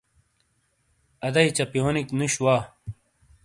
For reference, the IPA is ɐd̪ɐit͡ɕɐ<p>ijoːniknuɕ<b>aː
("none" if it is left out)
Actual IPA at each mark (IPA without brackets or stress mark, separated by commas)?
p, w